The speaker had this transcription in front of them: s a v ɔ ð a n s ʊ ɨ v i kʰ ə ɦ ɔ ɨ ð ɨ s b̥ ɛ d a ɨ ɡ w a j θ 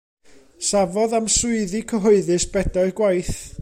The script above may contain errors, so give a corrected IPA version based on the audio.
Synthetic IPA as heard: s a v ɔ ð a m s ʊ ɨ ð i kʰ ə ɦ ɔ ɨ ð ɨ s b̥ ɛ d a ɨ ɡ w a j θ